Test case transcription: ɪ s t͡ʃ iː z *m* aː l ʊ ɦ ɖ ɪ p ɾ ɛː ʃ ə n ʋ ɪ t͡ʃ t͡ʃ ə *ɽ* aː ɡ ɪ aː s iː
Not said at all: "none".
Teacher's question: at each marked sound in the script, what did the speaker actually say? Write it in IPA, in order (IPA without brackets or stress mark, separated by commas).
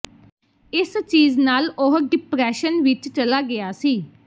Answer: n, l